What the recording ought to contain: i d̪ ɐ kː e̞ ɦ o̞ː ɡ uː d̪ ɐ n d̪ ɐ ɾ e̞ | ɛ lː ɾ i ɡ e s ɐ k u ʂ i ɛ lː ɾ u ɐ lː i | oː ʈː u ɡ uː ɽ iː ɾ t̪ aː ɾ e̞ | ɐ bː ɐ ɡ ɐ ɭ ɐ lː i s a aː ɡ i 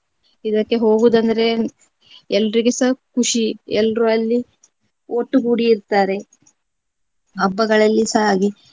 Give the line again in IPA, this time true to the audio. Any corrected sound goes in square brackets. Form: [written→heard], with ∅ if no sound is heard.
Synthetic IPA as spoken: i d̪ ɐ kː e̞ ɦ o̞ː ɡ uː d̪ ɐ n d̪ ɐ ɾ e̞ | ɛ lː ɾ i ɡ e s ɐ k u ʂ i ɛ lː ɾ u ɐ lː i | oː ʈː u ɡ uː ɽ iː ɾ t̪ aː ɾ e̞ | ɐ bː ɐ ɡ ɐ ɭ ɐ lː i s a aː ɡ i